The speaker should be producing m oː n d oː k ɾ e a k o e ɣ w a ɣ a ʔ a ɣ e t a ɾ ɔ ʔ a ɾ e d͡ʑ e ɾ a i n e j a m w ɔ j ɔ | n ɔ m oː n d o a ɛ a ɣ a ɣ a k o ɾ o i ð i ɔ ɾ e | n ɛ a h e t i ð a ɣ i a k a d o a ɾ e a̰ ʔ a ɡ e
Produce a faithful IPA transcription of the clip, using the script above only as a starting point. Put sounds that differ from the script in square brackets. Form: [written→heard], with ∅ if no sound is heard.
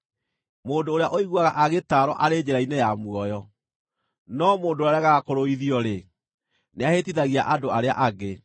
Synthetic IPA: m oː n d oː [k→∅] ɾ e a [k→ʔ] o [e→i] ɣ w a ɣ a ʔ a ɣ e t a ɾ ɔ ʔ a ɾ e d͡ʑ e ɾ a i n e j a m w ɔ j ɔ | n ɔ m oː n d o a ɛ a ɣ a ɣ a k o ɾ o i ð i ɔ ɾ e | n [ɛ→e] a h e t i ð a ɣ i a [k→ʔ] a d o a ɾ e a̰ ʔ a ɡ e

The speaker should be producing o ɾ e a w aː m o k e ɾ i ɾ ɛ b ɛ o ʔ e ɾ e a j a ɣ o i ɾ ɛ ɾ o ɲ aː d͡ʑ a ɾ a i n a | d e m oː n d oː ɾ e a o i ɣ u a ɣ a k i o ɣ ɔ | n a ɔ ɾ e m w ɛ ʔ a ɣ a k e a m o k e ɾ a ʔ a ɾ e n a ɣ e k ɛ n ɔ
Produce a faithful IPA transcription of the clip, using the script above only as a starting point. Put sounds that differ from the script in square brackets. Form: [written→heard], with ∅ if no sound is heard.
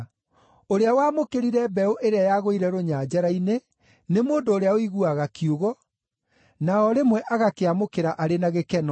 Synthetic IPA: o ɾ e a w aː m o k e ɾ i ɾ ɛ b ɛ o ʔ e ɾ e a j a ɣ o i ɾ ɛ ɾ o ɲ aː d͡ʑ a ɾ a i n [a→e] | [d→n] e m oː n d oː ɾ e a o i ɣ u a ɣ a k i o ɣ ɔ | n a ɔ ɾ e m w ɛ ʔ a ɣ a k e a m o k e ɾ a ʔ a ɾ e n a ɣ e k ɛ n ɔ

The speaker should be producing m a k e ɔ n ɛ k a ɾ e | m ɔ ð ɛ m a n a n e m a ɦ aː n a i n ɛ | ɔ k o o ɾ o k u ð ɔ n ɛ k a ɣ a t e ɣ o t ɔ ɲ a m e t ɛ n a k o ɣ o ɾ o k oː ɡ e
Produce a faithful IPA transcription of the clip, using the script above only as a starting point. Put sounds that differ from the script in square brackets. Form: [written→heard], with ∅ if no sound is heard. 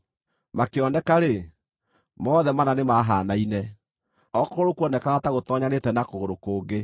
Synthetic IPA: m a k e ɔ n ɛ k a ɾ e | m ɔ ð ɛ m a n a n e m a ɦ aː n a i n ɛ | ɔ k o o ɾ o k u [ð→∅] ɔ n ɛ k a ɣ a t [e→a] ɣ o t ɔ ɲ a [m→n] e t ɛ n a k o ɣ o ɾ o k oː ɡ e

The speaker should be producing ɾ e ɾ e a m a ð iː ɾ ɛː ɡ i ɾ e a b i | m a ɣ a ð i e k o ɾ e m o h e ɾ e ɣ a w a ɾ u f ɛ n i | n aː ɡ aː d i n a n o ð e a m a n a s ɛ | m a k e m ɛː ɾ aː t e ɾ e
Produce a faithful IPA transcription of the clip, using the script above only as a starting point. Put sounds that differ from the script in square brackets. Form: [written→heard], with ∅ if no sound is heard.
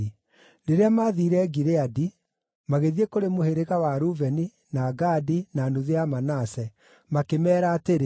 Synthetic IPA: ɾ e ɾ e a m a ð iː ɾ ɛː ɡ i ɾ e a [b→d] i | m a ɣ [a→e] ð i e k o ɾ e m o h e ɾ e ɣ a w a ɾ u [f→v] ɛ n i | n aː ɡ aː d i n a n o ð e a m a n a s ɛ | m a k e m ɛː ɾ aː t e ɾ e

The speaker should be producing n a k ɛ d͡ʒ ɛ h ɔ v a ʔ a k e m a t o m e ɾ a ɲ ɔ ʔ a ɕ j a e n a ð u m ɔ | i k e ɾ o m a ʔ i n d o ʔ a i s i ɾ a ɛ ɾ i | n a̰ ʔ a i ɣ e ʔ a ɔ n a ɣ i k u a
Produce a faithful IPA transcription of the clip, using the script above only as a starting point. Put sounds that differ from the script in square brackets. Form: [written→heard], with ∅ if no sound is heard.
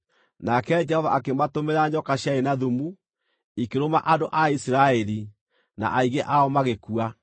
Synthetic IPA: n a k ɛ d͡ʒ ɛ h ɔ v a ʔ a k e m a t o m e ɾ a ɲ ɔ [ʔ→k] a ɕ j a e n a ð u m [ɔ→u] | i k e ɾ o m a ʔ [i→a] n d o ʔ a i s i ɾ a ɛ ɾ i | n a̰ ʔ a i ɣ e ʔ a ɔ [n→m] a ɣ [i→e] k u a

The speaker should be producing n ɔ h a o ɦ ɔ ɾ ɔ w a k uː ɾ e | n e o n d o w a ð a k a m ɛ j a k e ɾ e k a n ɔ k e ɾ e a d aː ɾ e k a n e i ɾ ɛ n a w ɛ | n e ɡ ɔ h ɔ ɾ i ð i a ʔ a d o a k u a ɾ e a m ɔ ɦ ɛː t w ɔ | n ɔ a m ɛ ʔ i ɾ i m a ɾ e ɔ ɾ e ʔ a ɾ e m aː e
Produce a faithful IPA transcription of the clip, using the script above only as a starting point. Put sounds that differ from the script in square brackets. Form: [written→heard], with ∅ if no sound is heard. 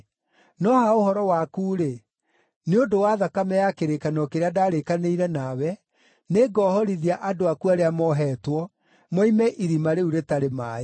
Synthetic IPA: n ɔ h a o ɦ ɔ ɾ ɔ w a k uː ɾ e | n e o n d o w a ð a k a m ɛ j a k e ɾ e k a n ɔ k e ɾ e a d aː ɾ e k a n e i ɾ ɛ n a w ɛ | n e ɡ ɔ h ɔ ɾ i ð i a ʔ a d o a k u a ɾ e a m ɔ ɦ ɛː t w ɔ | [n→m] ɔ [a→i] m ɛ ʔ i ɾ i m a ɾ e [ɔ→u] ɾ e [ʔ→t] a ɾ e m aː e

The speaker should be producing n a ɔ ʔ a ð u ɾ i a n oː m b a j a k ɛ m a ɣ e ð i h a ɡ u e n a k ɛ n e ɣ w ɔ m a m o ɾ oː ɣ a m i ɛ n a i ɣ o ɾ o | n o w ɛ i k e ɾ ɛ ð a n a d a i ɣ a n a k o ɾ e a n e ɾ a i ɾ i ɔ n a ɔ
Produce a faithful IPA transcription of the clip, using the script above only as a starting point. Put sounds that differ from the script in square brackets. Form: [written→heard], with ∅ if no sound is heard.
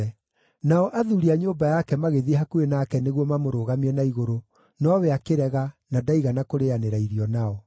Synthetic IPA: n a ɔ ʔ a ð u ɾ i a [n→ɲ] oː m b a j a k ɛ m a ɣ e ð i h a [ɡ→k] u e n a k ɛ n e ɣ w ɔ m a m o ɾ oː ɣ a m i ɛ n a i ɣ o ɾ o | n [o→ɔ] w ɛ [i→a] k e ɾ ɛ [ð→ɣ] a n a d a i ɣ a n a k o ɾ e a n e ɾ a i ɾ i ɔ n a ɔ

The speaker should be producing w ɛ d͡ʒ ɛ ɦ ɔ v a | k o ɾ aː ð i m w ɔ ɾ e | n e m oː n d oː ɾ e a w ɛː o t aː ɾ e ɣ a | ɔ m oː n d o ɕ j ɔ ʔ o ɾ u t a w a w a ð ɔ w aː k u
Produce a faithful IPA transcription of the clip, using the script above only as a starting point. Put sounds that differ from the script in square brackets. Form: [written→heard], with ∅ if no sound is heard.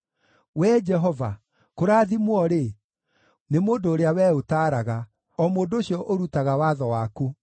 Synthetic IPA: w ɛ d͡ʒ ɛ ɦ ɔ v a | k o ɾ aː ð i m w ɔ ɾ e | n e m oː n d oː ɾ e a w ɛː o t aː ɾ [e→a] ɣ a | ɔ m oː n d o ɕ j ɔ ʔ o ɾ u t a [w→ɣ] a w a ð ɔ w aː k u

